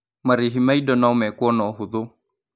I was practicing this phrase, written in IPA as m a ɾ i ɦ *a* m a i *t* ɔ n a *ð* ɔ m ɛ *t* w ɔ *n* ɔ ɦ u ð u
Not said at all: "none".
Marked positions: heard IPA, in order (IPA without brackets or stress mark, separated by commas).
i, d, none, k, n